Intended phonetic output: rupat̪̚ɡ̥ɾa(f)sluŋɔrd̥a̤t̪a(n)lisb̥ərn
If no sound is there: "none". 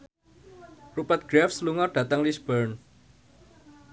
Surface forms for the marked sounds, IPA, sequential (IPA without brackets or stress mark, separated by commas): f, ŋ